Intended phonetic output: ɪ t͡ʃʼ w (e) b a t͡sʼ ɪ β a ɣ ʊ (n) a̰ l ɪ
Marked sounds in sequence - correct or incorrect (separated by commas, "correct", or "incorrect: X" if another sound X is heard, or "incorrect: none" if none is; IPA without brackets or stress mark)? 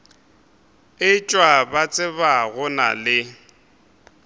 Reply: incorrect: a, correct